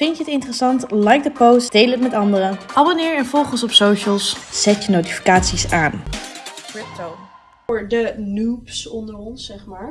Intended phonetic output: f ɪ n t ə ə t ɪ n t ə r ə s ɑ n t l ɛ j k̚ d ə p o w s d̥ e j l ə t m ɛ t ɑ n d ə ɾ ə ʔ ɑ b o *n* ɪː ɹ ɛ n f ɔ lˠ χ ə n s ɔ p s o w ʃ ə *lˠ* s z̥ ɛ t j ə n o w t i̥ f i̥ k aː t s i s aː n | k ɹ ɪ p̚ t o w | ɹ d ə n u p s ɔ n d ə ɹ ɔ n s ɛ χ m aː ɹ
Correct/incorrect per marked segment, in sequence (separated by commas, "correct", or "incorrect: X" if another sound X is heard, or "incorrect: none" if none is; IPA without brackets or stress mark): correct, correct